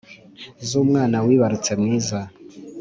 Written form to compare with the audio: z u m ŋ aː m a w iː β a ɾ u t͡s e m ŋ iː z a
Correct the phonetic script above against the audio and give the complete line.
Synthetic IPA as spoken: z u m ŋ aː n a w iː β a ɾ u t͡s e m ŋ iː z a